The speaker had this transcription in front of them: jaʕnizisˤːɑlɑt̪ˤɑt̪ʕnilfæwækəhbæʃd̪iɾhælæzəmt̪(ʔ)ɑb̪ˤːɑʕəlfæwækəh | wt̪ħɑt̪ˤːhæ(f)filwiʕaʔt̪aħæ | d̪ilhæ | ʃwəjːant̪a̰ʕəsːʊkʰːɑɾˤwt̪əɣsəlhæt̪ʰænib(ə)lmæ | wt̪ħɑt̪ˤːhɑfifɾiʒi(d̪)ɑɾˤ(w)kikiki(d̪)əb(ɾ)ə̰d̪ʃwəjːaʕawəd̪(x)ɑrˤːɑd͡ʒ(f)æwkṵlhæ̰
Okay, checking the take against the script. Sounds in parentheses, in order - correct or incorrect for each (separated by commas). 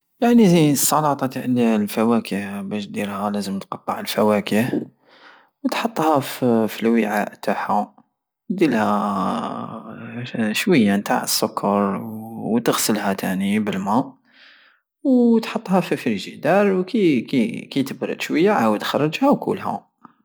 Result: incorrect, correct, correct, correct, correct, incorrect, correct, correct, incorrect